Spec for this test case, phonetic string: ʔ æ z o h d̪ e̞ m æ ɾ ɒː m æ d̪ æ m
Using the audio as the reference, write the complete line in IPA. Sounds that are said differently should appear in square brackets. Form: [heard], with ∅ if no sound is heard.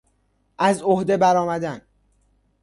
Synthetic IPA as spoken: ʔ æ z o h d̪ e̞ [b] æ ɾ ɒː m æ d̪ æ [n]

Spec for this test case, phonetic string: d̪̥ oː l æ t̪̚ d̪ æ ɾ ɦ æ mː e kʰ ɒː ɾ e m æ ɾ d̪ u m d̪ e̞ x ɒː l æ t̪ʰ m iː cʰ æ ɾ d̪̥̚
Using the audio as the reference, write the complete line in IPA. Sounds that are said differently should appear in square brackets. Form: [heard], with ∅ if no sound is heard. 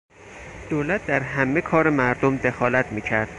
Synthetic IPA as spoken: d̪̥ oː l æ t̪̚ d̪ æ ɾ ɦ æ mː e kʰ ɒː ɾ e m æ ɾ d̪ [o] m d̪ e̞ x ɒː l æ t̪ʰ m iː cʰ æ ɾ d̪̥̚

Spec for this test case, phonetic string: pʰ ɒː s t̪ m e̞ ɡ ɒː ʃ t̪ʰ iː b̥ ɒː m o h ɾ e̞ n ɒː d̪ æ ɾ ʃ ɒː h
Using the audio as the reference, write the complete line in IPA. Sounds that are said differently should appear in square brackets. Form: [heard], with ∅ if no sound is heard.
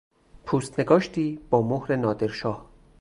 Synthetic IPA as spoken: pʰ [uː] s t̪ [n] e̞ ɡ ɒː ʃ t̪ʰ iː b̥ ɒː m o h ɾ e̞ n ɒː d̪ [e] ɾ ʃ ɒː h

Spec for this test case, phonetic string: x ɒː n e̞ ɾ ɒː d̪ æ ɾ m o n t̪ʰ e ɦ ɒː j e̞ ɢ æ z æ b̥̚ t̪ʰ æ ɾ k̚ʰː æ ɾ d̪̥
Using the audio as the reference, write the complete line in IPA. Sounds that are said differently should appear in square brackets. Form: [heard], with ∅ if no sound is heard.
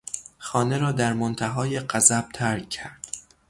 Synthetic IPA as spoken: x ɒː n e̞ ɾ ɒː d̪ æ ɾ m o n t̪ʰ [æ] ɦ ɒː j e̞ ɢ æ z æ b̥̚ t̪ʰ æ ɾ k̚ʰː æ ɾ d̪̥

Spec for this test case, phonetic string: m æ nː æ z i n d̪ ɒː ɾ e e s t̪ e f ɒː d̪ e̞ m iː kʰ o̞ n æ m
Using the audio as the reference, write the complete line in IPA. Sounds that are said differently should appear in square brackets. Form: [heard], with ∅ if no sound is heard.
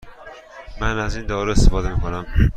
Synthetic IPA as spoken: m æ [n] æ z i n d̪ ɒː ɾ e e s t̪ e f ɒː d̪ e̞ m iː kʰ o̞ n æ m

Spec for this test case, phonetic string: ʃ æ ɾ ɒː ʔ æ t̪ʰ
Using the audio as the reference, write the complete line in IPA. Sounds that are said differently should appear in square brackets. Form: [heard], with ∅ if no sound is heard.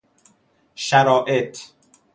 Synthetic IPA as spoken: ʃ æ ɾ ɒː ʔ [e] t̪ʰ

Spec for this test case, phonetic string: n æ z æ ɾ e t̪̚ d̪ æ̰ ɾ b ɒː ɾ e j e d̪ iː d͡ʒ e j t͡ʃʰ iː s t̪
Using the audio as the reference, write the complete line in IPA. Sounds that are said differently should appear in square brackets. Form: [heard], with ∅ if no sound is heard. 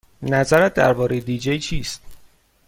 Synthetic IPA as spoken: n æ z æ ɾ [æ] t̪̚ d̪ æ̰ ɾ b ɒː ɾ e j e d̪ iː d͡ʒ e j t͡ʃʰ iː s t̪

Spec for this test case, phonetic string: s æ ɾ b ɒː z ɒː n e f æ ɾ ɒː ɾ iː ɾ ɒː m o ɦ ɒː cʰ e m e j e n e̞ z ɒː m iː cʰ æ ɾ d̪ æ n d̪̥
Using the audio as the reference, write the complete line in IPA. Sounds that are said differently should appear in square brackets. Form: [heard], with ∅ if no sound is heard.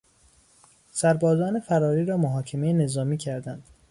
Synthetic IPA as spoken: s æ ɾ b ɒː z ɒː n e f æ ɾ ɒː ɾ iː ɾ ɒː m o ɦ ɒː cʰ e m e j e n e̞ z ɒː m iː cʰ æ ɾ d̪ æ n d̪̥

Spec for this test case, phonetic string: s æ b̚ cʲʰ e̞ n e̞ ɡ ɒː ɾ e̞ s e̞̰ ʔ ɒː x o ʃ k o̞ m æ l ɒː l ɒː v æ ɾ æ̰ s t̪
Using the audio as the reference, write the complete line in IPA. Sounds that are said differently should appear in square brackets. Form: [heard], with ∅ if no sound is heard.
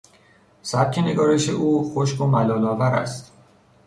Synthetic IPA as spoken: s æ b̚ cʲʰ e̞ n e̞ ɡ ɒː ɾ e̞ [ʃ] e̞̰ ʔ [uː] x o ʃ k o̞ m æ l ɒː l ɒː v æ ɾ æ̰ s t̪

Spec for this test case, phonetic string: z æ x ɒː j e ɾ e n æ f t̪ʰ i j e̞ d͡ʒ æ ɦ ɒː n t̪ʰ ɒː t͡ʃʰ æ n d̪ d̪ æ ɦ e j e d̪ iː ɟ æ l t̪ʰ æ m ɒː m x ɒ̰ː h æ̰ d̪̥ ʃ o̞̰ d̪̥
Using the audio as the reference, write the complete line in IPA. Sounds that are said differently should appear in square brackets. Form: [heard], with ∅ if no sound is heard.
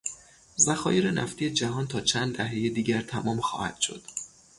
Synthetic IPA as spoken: z æ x ɒː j e ɾ e n æ f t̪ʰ i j e̞ d͡ʒ æ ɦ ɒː n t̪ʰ ɒː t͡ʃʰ æ n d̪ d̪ æ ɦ e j e d̪ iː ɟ æ [ɾ] t̪ʰ æ m ɒː m x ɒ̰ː h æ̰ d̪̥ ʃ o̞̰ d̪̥

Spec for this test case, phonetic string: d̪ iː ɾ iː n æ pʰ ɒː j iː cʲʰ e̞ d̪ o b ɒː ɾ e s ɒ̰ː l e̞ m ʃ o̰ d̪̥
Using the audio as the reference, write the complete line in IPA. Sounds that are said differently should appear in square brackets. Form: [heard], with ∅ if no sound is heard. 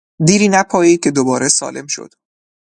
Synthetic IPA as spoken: d̪ iː ɾ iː n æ pʰ ɒː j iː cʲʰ e̞ d̪ o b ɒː ɾ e s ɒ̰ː l e̞ m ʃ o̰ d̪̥

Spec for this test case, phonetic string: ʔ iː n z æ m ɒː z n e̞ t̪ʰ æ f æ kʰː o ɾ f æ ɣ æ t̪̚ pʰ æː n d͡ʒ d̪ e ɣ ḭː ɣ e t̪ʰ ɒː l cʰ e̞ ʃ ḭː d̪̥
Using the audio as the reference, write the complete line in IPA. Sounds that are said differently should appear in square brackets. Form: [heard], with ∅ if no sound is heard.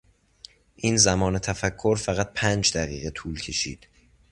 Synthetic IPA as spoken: ʔ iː n z æ m ɒː [∅] n e̞ t̪ʰ æ f æ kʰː o ɾ f æ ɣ æ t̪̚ pʰ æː n d͡ʒ d̪ [æ] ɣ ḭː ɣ e t̪ʰ [uː] l cʰ e̞ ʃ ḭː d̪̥

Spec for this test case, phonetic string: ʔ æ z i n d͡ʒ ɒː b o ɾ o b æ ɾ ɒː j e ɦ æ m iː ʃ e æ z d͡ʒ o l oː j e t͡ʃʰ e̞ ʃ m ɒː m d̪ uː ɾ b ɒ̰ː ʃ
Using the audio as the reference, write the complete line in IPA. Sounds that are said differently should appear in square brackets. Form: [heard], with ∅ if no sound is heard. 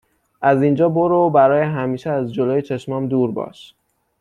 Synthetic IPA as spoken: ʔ æ z i n d͡ʒ ɒː b o ɾ o b æ ɾ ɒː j e ɦ æ m iː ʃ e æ z d͡ʒ o l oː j e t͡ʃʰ e̞ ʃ m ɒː m d̪ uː ɾ b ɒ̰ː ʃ

